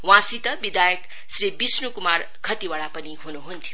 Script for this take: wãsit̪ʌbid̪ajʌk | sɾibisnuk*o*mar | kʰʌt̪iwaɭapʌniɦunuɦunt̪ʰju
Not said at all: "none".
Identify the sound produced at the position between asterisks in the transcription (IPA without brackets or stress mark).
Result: u